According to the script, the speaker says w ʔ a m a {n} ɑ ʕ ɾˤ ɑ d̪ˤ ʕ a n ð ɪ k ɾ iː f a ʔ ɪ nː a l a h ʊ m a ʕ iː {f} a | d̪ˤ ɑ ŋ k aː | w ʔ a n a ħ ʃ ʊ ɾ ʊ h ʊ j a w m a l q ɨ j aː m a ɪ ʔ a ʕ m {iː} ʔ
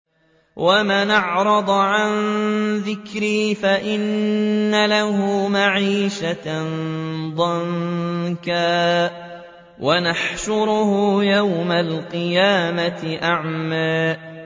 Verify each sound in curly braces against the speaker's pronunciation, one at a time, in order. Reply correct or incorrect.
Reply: correct, incorrect, incorrect

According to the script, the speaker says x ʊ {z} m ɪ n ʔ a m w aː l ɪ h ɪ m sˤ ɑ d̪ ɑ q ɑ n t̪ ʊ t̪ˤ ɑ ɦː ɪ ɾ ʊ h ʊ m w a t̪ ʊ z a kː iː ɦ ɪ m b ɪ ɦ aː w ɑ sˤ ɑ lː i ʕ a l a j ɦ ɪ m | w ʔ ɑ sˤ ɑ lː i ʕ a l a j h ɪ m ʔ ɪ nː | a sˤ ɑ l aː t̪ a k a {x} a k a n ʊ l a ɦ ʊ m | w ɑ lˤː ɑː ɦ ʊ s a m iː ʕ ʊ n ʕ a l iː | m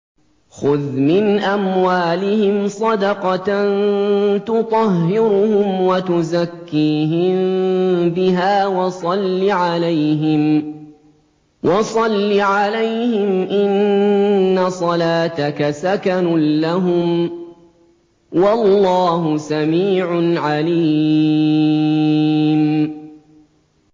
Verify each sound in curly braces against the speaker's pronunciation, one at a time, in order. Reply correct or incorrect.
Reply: incorrect, incorrect

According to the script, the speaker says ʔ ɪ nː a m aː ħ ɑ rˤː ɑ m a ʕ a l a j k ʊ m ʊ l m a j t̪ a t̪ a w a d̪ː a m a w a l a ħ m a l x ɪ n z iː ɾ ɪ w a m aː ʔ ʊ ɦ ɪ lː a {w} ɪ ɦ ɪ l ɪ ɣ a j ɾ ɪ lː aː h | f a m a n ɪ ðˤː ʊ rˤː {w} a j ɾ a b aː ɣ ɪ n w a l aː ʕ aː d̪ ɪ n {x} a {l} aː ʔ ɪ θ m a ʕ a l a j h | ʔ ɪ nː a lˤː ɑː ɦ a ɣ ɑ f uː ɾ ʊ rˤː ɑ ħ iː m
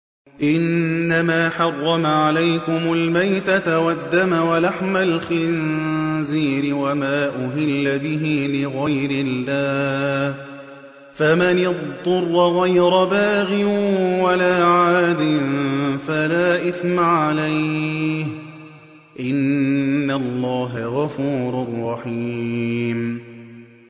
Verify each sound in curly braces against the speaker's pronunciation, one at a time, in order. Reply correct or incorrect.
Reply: incorrect, incorrect, incorrect, correct

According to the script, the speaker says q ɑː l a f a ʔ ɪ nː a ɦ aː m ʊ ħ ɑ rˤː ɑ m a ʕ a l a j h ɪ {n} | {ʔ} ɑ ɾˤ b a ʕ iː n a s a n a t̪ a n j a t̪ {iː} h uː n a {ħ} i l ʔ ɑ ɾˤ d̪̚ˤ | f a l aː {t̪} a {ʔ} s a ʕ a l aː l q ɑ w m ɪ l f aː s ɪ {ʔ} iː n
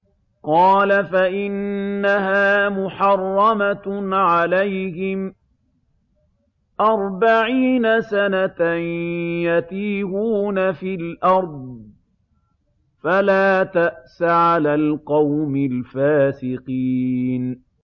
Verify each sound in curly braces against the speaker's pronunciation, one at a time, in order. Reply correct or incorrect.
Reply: incorrect, correct, correct, incorrect, correct, correct, incorrect

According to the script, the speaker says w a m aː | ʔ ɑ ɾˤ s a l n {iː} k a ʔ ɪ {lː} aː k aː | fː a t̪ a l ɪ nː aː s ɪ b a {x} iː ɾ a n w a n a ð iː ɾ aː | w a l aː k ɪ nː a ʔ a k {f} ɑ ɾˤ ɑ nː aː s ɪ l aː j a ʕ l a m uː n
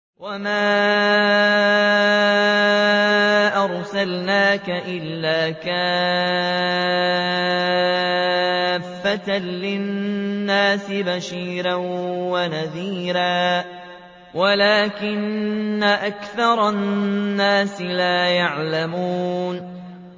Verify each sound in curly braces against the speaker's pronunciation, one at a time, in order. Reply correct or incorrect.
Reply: incorrect, correct, incorrect, incorrect

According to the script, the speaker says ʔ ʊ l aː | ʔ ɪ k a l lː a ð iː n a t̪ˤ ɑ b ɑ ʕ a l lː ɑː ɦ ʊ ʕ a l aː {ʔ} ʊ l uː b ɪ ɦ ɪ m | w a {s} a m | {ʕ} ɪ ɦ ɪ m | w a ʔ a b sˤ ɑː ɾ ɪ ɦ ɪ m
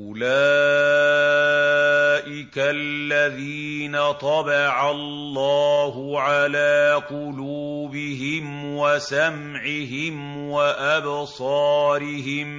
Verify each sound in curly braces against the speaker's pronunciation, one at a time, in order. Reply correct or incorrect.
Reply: incorrect, correct, correct

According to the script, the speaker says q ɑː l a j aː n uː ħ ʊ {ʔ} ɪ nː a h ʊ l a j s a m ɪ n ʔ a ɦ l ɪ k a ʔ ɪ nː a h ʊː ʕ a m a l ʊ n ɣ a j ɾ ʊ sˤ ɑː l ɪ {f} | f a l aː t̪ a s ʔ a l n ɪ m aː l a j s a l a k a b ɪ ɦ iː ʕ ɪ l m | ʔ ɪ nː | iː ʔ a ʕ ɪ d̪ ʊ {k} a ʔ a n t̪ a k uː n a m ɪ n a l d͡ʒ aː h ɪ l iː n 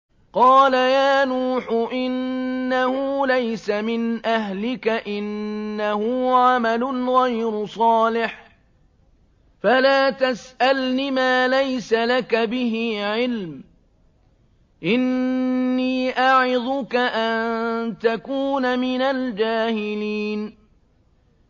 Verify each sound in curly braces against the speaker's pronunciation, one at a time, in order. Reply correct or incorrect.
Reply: correct, incorrect, correct

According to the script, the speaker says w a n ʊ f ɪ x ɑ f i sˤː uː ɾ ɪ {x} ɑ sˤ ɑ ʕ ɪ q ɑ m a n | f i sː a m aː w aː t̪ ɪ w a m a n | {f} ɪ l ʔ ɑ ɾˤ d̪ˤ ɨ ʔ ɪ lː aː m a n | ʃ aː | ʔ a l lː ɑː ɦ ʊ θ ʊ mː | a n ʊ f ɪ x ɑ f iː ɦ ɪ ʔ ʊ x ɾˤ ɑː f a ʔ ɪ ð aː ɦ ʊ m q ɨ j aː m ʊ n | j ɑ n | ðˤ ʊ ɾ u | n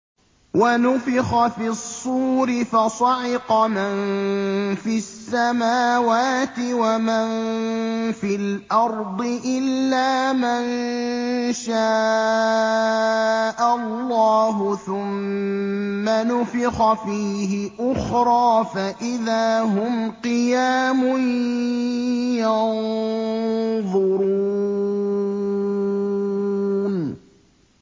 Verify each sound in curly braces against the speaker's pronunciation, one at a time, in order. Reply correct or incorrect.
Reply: incorrect, correct

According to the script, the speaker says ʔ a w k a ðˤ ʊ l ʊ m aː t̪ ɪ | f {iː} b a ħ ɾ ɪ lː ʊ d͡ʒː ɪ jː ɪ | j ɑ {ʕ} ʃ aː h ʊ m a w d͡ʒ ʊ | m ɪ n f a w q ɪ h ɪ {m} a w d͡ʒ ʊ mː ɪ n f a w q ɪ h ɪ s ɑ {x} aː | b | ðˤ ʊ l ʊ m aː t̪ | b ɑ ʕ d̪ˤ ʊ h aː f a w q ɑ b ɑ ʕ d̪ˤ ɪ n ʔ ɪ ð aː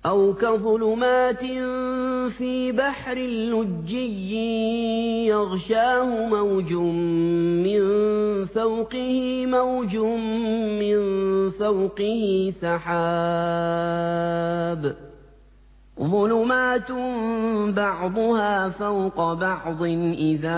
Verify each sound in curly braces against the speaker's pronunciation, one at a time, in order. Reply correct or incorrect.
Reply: correct, incorrect, correct, incorrect

